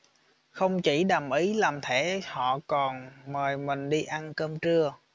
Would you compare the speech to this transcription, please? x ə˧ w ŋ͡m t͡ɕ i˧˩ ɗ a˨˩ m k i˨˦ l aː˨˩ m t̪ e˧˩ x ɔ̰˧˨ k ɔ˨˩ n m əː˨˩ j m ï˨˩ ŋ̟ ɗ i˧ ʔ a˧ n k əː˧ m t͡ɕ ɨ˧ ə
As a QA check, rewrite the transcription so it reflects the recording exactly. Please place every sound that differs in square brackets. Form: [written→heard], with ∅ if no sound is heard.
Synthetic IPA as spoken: x ə˧ w ŋ͡m t͡ɕ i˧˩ ɗ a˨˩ m [k→ʔ] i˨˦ l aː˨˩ m [t̪→t̪ʰ] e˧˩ [x→h] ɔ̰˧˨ k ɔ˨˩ n m əː˨˩ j m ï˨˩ ŋ̟ ɗ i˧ ʔ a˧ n k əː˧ m t͡ɕ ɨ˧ ə